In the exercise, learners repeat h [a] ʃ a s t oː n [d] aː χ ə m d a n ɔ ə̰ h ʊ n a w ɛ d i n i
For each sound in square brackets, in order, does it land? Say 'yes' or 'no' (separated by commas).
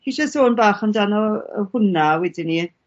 no, no